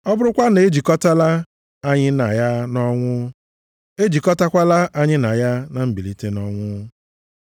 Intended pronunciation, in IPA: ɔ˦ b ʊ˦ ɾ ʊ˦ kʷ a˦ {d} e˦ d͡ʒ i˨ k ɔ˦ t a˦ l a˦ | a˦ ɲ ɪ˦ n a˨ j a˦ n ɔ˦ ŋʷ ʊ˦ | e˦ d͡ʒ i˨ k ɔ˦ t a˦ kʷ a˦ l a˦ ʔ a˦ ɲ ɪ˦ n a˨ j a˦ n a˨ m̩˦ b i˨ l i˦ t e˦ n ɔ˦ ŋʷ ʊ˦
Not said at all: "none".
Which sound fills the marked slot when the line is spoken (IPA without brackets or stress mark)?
n